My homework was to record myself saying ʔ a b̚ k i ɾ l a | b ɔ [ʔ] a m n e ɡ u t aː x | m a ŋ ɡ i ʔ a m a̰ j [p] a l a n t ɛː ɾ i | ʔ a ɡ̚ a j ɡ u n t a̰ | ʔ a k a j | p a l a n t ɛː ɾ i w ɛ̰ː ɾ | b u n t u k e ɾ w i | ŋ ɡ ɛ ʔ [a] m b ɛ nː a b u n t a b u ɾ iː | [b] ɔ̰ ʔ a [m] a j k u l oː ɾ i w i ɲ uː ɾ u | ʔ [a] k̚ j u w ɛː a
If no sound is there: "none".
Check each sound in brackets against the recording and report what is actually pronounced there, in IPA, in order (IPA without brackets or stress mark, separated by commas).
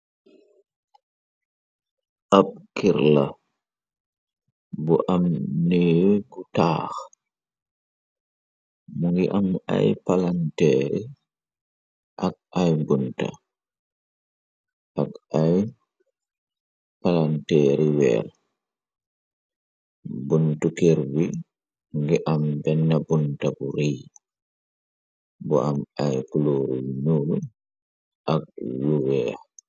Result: ʔ, p, a, b, m, a